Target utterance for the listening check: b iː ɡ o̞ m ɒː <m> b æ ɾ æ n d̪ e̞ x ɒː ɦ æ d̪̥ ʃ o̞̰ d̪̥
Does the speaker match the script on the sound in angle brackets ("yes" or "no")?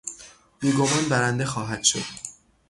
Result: no